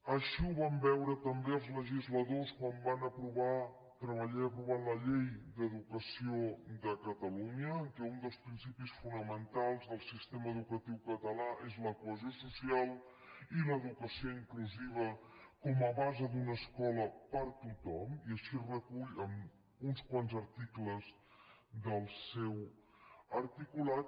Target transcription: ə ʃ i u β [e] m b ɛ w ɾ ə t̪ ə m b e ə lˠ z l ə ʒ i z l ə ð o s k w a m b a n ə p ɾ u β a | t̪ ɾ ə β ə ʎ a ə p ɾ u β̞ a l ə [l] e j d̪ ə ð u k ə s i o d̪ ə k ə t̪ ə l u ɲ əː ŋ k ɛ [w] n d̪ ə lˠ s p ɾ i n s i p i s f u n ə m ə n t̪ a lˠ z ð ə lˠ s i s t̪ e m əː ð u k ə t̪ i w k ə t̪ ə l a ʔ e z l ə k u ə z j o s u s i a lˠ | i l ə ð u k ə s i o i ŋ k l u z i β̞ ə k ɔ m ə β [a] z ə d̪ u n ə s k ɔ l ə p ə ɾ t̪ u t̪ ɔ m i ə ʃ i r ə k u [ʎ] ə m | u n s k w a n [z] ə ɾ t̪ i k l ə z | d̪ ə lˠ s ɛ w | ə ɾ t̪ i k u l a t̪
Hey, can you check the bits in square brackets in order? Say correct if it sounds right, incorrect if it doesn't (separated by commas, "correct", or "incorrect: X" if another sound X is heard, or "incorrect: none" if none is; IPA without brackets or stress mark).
incorrect: a, incorrect: ʎ, incorrect: u, correct, correct, correct